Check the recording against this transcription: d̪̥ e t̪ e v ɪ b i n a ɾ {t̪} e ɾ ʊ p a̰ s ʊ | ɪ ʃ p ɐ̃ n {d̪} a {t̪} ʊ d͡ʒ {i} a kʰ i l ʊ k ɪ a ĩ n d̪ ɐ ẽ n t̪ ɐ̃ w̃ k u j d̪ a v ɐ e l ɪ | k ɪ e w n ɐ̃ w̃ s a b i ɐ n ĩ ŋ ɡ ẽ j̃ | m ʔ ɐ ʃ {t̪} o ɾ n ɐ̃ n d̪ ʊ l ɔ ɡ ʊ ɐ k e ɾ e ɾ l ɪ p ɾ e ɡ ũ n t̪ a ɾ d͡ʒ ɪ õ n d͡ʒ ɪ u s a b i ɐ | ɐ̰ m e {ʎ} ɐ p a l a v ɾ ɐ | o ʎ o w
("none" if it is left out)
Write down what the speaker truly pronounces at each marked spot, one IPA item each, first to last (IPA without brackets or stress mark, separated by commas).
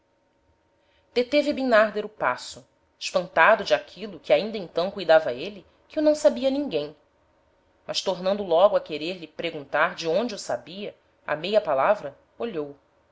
d̪, t̪, d̪, ɪ, t̪, j